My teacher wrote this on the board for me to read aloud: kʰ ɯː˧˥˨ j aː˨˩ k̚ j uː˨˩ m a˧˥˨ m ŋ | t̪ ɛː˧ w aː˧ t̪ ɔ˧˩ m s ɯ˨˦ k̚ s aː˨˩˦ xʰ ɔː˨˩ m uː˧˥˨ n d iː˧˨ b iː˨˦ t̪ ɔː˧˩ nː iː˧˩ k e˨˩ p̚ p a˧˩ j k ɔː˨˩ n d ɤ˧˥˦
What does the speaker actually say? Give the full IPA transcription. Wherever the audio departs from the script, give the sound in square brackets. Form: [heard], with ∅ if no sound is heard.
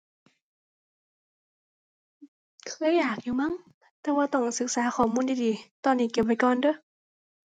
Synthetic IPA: kʰ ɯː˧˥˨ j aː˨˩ k̚ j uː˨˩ m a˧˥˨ [∅] ŋ | t̪ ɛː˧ w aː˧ t̪ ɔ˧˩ [ŋ] s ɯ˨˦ k̚ s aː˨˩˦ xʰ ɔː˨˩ m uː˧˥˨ n d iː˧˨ [d] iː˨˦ t̪ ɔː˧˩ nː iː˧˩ k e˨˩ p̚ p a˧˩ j k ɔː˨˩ n d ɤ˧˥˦

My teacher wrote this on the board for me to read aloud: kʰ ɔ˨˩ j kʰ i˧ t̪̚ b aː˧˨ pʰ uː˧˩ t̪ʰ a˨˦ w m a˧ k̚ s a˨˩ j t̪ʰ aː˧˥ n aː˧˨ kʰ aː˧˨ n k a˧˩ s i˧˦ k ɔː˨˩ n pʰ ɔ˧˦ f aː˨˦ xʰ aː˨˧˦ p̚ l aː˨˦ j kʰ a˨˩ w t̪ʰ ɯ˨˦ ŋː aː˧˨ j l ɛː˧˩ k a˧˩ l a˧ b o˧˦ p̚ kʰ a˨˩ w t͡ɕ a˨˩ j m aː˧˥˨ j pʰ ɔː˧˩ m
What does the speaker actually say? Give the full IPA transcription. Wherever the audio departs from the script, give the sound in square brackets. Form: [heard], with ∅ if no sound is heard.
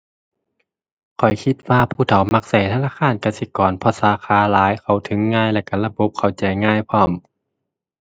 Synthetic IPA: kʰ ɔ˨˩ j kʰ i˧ t̪̚ [w] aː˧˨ pʰ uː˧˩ t̪ʰ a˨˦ w m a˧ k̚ s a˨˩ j t̪ʰ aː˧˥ n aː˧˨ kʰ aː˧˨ n k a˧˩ s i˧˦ k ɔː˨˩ n pʰ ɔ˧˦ [s] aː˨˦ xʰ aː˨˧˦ [∅] l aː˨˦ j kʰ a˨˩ w t̪ʰ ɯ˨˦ ŋː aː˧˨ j l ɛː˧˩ k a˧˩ l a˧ b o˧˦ p̚ kʰ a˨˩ w t͡ɕ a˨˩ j [ŋ] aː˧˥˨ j pʰ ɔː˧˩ m

